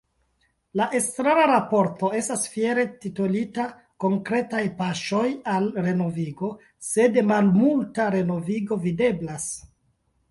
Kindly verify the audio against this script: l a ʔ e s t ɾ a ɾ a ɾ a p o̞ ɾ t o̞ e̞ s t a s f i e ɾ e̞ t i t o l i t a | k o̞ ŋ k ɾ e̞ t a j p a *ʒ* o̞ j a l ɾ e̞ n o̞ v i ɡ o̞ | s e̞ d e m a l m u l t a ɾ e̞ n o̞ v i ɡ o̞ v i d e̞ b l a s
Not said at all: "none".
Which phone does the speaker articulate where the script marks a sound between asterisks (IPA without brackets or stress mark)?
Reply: ʃ